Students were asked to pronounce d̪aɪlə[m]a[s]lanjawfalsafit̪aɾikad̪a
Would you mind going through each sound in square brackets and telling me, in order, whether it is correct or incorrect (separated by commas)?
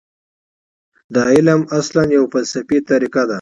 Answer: correct, correct